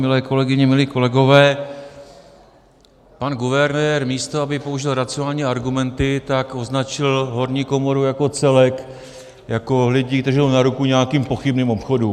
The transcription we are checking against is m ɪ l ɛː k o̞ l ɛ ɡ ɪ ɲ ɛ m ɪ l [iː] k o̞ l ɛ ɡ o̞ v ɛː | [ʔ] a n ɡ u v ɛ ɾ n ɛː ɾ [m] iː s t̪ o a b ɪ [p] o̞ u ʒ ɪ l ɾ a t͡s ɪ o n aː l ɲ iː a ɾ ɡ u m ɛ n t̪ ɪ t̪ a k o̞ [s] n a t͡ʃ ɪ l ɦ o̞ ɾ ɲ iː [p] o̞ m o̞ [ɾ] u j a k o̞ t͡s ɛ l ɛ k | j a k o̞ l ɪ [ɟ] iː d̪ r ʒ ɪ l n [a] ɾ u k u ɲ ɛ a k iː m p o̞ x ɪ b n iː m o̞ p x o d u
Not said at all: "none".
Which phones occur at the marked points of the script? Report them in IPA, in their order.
iː, p, m, p, z, k, ɾ, ɟ, a

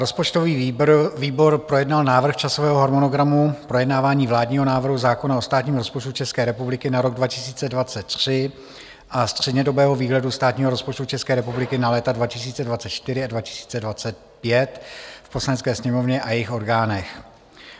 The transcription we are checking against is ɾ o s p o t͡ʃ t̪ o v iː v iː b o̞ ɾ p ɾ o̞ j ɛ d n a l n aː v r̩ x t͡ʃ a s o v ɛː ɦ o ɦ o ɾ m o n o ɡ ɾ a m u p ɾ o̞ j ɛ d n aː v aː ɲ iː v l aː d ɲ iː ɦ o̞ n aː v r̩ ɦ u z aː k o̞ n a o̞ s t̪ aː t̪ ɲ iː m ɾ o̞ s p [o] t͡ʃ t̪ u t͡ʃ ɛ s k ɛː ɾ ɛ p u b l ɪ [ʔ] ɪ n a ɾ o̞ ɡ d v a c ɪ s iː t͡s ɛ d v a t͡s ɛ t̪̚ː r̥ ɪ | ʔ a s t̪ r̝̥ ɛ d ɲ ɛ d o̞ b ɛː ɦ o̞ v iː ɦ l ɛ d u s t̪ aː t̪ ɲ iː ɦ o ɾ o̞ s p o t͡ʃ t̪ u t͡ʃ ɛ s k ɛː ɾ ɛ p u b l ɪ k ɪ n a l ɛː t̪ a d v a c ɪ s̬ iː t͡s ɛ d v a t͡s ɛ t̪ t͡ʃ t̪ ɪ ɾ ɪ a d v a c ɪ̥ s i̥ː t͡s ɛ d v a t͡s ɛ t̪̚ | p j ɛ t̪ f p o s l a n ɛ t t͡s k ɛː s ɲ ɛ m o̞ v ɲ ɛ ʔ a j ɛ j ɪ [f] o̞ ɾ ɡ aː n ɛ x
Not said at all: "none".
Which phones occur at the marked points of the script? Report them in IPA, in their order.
o, k, x

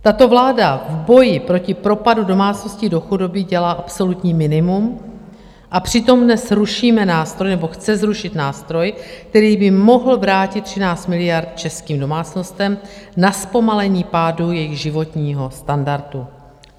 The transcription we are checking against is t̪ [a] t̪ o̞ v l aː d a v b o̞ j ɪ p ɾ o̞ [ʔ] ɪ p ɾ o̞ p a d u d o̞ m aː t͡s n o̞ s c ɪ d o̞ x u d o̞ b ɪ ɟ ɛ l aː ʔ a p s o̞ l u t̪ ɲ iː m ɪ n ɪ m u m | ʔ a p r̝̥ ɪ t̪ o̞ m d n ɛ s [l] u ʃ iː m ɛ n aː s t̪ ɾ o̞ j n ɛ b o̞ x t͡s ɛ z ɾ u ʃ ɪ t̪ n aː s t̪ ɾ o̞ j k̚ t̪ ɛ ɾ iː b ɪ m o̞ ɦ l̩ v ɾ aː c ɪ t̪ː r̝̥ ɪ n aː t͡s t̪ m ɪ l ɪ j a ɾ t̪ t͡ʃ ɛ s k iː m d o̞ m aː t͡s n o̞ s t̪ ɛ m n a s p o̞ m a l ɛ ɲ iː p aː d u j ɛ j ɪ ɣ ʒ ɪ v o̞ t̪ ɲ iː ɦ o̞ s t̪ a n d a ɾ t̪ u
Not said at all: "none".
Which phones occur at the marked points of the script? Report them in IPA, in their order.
a, c, ɾ

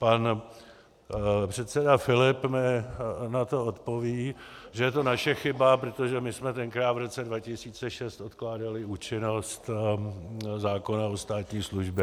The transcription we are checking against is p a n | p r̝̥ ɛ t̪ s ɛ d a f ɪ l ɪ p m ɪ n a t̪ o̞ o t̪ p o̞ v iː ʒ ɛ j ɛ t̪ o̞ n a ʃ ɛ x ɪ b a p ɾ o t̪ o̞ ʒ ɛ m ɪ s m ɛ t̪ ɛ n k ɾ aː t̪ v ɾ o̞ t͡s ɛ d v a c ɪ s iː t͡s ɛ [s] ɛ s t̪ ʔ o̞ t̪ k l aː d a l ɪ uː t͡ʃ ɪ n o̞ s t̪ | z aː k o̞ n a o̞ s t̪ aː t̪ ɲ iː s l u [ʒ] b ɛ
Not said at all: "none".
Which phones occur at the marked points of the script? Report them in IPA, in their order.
ʃ, ʒ

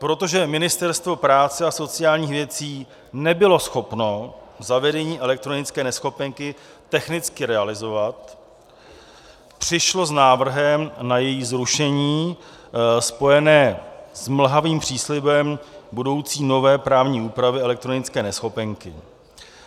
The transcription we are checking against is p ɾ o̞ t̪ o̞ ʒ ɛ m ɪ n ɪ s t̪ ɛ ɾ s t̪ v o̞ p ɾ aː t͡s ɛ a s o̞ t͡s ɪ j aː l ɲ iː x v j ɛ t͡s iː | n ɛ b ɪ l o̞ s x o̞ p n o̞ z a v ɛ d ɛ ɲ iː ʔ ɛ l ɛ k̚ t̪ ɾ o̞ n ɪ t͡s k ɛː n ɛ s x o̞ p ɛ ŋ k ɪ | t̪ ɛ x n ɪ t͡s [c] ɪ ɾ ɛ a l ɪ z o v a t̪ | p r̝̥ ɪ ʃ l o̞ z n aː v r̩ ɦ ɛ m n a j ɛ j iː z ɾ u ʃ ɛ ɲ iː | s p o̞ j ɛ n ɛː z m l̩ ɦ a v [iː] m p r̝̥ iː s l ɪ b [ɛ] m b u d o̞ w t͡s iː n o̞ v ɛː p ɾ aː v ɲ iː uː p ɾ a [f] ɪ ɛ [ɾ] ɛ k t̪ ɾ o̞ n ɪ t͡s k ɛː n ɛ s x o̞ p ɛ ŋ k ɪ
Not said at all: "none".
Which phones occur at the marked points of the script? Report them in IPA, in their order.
k, iː, ɛ, v, l

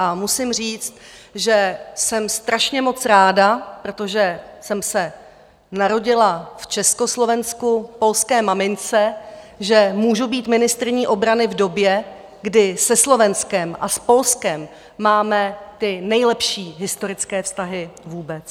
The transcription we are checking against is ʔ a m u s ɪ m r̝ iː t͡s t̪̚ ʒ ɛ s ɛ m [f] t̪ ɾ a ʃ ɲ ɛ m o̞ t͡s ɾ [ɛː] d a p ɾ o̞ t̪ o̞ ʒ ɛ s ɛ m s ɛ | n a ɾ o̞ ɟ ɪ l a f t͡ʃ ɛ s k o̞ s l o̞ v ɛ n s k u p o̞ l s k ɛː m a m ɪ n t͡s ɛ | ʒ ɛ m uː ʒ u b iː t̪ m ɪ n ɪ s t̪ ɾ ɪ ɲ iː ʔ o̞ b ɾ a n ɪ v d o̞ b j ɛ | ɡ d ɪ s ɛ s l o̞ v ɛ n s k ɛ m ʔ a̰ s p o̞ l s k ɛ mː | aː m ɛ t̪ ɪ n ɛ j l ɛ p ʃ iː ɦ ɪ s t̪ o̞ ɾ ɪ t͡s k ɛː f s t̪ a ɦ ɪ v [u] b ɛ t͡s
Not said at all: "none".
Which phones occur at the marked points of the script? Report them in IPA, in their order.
s, aː, uː

